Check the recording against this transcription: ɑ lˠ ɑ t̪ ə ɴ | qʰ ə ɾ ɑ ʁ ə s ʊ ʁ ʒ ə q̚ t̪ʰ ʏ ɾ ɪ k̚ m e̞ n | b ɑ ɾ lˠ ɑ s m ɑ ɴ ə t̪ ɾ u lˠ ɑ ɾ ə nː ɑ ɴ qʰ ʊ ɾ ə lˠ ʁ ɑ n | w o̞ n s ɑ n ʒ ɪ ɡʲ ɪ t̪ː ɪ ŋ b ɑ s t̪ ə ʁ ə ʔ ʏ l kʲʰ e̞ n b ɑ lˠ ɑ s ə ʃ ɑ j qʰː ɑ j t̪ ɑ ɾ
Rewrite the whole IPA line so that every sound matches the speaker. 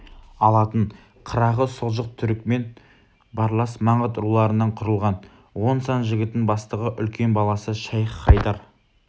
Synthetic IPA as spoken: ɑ lˠ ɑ t̪ ə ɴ | qʰ ə ɾ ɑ ʁ ə s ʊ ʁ ʒ ə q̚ t̪ʰ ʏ ɾ ɪ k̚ m e̞ n | b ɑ ɾ lˠ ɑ s m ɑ ɴ ə t̪ ɾ u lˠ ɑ ɾ ə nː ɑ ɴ qʰ ʊ ɾ ə lˠ ʁ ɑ n | w o̞ n s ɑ n ʒ ɪ ɡʲ ɪ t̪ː ɪ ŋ b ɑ s t̪ ə ʁ ə ʔ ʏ l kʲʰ e̞ n b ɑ lˠ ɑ s ə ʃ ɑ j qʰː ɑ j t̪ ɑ ɾ